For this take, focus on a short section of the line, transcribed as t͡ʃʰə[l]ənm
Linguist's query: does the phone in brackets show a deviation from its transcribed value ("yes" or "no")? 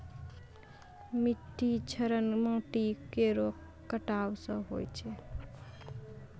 yes